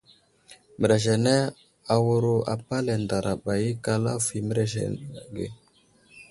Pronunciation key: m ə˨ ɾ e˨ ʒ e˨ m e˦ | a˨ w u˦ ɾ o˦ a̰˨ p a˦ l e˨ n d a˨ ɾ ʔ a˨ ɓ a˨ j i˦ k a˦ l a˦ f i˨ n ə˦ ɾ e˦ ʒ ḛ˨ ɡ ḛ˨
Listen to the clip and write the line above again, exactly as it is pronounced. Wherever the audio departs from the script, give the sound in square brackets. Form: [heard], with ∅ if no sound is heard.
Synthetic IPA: m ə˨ ɾ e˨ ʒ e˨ [n] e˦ | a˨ w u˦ ɾ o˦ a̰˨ p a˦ l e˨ n d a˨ ɾ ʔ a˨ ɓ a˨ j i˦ k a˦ l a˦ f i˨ [m] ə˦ ɾ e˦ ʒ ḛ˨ ɡ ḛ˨